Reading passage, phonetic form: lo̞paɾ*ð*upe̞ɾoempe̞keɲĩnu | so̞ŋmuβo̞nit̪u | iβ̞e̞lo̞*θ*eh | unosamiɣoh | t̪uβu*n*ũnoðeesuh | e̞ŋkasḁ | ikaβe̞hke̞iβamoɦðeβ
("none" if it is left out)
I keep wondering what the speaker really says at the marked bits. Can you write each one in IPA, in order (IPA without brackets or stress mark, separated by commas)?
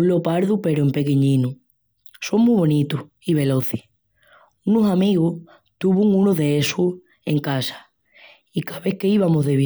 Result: ð, θ, ŋ